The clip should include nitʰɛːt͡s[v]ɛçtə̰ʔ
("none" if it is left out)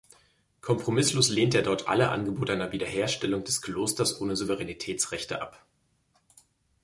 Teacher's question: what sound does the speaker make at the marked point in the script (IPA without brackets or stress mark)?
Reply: ʁ